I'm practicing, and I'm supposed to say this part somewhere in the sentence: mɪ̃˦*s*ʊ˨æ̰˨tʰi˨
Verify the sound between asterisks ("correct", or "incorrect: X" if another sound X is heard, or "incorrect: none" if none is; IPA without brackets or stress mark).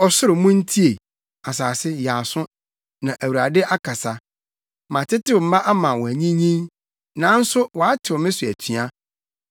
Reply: correct